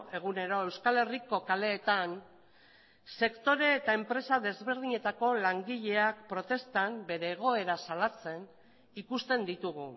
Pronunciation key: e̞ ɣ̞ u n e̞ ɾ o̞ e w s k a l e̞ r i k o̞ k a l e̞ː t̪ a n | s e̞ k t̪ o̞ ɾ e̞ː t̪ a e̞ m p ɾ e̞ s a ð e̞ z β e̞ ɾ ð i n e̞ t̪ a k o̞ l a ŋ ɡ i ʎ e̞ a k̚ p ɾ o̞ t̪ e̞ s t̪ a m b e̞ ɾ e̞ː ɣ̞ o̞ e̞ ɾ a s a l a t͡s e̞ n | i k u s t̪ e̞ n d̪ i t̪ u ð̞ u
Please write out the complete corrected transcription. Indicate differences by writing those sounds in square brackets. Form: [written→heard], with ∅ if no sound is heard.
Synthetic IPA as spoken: e̞ ɣ̞ u n e̞ ɾ o̞ e w s k a l e̞ r i k o̞ k a l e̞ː t̪ a n | s e̞ k t̪ o̞ ɾ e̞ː t̪ a e̞ m p ɾ e̞ s a ð e̞ z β e̞ ɾ ð i [n→ɲ] e̞ t̪ a k o̞ l a ŋ ɡ i ʎ e̞ a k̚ p ɾ o̞ t̪ e̞ s t̪ a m b e̞ ɾ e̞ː ɣ̞ o̞ e̞ ɾ a s a l a t͡s e̞ n | i k u s t̪ e̞ n d̪ i t̪ u [ð̞→ɣ̞] u